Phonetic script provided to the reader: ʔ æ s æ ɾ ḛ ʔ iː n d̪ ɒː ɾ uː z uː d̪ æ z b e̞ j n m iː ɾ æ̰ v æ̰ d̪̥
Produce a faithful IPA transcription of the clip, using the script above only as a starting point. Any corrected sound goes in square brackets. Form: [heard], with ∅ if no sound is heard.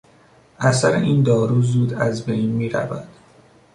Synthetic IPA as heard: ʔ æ s æ ɾ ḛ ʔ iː n d̪ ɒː ɾ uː z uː d̪ æ z b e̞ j n m iː ɾ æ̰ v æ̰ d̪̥